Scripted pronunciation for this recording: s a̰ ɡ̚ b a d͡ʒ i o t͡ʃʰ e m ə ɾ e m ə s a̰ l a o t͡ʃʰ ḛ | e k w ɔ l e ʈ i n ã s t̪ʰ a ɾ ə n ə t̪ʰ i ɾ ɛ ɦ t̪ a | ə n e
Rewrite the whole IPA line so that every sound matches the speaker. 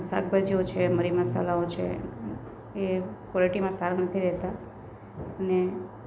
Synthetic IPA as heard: s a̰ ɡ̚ b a d͡ʒ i o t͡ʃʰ e m ə ɾ i m ə s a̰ l a o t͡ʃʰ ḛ | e k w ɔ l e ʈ i m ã s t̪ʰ a ɾ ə n ə t̪ʰ i ɾ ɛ ɦ t̪ a | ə n e

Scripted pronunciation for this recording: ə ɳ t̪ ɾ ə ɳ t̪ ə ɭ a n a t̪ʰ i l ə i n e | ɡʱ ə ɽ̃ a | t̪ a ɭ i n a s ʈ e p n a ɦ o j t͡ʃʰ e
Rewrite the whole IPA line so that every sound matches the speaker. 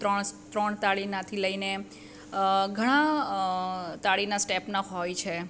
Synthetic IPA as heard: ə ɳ t̪ ɾ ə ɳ t̪ a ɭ i n a t̪ʰ i l ə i n e | ɡʱ ə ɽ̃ a | t̪ a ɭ i n a s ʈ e p n a ɦ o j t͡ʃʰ e

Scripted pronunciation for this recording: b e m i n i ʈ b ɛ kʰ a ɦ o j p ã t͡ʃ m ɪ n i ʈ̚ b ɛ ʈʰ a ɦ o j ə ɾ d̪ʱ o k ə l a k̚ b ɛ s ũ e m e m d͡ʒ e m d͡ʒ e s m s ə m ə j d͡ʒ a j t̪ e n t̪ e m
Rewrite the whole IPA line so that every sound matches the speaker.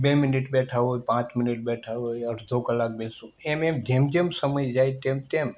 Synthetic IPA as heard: b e m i n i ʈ b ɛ ʈʰ a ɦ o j p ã t͡ʃ m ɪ n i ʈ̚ b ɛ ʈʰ a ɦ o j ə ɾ d̪ʱ o k ə l a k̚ b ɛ s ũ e m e m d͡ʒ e m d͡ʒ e m s ə m ə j d͡ʒ a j t̪ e m t̪ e m

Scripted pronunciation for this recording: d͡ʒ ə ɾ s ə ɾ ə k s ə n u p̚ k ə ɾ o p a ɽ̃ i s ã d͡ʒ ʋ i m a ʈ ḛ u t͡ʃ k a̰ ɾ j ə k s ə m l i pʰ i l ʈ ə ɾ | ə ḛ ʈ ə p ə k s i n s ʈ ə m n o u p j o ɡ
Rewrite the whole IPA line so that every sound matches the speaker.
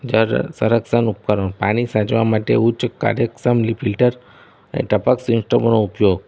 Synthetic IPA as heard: d͡ʒ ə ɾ s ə ɾ ə k s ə n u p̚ k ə ɾ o p a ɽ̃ i s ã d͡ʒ ʋ a m a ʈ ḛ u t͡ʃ k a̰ ɾ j ə k s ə m l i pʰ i l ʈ ə ɾ | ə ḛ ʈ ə p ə k s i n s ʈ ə m n o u p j o ɡ

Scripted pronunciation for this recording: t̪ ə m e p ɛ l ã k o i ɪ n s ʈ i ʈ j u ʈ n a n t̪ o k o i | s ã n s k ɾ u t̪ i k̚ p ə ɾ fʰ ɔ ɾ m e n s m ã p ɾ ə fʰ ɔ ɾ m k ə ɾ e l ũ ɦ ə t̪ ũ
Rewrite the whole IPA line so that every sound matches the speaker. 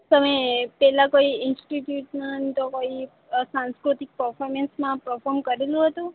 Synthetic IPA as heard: t̪ ə m e p ɛ l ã k o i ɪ n s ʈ i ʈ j u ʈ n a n t̪ o k o i | s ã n s k ɾ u t̪ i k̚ p ə ɾ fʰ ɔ ɾ m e n s m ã p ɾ ə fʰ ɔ ɾ m k ə ɾ e l ũ ɦ ə t̪ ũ

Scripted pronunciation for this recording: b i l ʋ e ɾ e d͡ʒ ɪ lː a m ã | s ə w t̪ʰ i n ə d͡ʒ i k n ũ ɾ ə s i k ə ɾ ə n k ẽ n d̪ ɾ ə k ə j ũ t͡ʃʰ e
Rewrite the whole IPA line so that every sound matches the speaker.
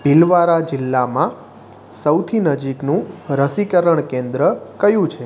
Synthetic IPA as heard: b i l ʋ a ɾ a d͡ʒ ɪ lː a m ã | s ə w t̪ʰ i n ə d͡ʒ i k n ũ ɾ ə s i k ə ɾ ə ɳ k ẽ n d̪ ɾ ə k ə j ũ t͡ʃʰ e

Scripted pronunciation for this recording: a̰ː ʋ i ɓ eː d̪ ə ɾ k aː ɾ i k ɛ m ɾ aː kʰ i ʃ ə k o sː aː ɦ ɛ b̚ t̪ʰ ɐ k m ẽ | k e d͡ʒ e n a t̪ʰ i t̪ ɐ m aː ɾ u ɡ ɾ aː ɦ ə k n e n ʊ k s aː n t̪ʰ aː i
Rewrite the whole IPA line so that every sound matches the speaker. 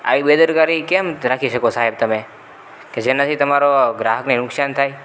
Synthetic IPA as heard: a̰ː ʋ i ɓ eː d̪ ə ɾ k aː ɾ i k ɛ m ɾ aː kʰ i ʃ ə k o s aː ɦ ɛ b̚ t̪ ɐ m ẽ | k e d͡ʒ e n a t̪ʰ i t̪ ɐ m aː ɾ o ɡ ɾ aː ɦ ə k n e n ʊ k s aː n t̪ʰ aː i

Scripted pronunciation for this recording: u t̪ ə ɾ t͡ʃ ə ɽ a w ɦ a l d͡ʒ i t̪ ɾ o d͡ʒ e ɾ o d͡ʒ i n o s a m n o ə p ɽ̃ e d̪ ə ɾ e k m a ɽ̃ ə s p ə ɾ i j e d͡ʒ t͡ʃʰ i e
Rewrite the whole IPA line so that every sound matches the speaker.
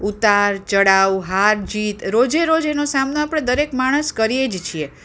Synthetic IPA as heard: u t̪ a ɾ t͡ʃ ə ɽ a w ɦ a ɾ d͡ʒ i t̪ ɾ o d͡ʒ e ɾ o d͡ʒ e n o s a m n o a p ɽ̃ e d̪ ə ɾ e k m a ɽ̃ ə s k ə ɾ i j e d͡ʒ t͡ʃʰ i e

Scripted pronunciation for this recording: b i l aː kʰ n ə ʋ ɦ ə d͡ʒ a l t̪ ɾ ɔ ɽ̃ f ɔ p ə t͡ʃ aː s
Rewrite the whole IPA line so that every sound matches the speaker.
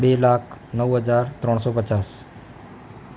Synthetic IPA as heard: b e l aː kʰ n ə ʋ ɦ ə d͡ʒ a ɾ t̪ ɾ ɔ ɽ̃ s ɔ p ə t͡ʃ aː s

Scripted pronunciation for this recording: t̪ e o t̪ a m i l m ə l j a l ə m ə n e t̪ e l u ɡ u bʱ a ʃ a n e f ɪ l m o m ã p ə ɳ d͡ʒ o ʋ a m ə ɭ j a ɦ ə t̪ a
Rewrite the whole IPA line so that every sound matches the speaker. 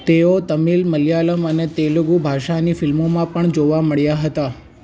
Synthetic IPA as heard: t̪ e o t̪ ə m i l m ə l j a l ə m ə n e t̪ e l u ɡ u bʱ a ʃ a n i f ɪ l m o m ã p ə ɳ d͡ʒ o ʋ a m ə ɭ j a ɦ ə t̪ a

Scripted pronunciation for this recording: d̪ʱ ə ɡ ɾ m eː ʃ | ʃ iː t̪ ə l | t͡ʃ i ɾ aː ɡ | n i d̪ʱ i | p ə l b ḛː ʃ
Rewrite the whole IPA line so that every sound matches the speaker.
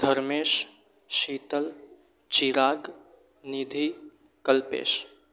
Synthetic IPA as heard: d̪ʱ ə ɾ m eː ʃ | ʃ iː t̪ ə l | t͡ʃ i ɾ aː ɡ | n i d̪ʱ i | k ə l p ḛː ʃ

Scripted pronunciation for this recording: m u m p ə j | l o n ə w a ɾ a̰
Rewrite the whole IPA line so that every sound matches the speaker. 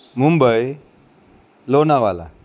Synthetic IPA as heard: m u m b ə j | l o n a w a l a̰

